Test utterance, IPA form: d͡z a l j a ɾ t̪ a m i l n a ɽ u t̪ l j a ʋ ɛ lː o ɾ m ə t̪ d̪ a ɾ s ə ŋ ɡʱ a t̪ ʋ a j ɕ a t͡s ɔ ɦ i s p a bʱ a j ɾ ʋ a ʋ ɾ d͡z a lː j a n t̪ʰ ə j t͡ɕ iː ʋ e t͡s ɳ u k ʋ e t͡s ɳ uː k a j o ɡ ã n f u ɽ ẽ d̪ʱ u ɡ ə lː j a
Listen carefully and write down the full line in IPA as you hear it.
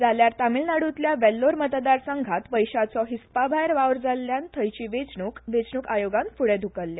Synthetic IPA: d͡z a l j a ɾ t̪ a m i l n a ɽ u t̪ l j a ʋ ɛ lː o ɾ m ə t̪ d̪ a ɾ s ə ŋ ɡʱ a t̪ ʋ ə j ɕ a t͡s ɔ ɦ i s p a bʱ a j ɾ ʋ a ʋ ɾ d͡z a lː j a n t̪ʰ ə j t͡ɕ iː ʋ e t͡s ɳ u k ʋ e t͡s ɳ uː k a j o ɡ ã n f u ɽ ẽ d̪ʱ u k ə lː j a